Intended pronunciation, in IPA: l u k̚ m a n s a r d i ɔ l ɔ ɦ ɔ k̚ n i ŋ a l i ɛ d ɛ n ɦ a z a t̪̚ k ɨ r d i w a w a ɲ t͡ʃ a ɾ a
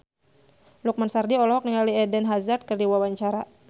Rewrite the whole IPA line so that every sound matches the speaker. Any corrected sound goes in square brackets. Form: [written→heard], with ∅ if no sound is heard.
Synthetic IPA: l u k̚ m a n s a r d i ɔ l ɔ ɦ ɔ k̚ n i ŋ a l i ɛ d ɛ n ɦ a z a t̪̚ k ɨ r d i w a w a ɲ t͡ʃ a ɾ a